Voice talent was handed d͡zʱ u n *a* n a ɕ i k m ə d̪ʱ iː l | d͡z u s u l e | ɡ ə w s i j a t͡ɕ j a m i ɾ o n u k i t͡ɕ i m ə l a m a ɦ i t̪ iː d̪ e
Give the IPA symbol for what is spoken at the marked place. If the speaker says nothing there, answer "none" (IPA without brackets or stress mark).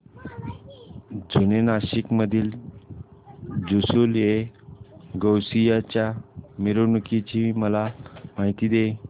e